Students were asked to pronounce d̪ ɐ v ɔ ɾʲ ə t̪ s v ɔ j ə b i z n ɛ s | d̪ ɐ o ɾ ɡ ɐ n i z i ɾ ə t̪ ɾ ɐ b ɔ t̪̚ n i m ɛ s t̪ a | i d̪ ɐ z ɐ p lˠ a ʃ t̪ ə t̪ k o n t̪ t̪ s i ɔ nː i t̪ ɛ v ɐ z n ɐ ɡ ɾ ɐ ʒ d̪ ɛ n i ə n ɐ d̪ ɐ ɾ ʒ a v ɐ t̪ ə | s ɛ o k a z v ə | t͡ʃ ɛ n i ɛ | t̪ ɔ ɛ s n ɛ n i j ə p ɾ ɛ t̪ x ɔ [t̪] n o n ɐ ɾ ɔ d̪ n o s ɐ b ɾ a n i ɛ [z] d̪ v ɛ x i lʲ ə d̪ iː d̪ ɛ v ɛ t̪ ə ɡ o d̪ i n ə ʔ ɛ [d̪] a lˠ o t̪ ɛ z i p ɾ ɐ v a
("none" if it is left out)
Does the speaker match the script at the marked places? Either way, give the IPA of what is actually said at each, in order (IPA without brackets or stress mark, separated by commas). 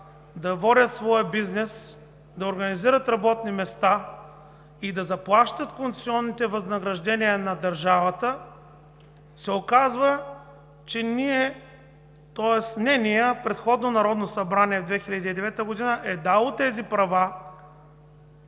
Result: d̪, v, d̪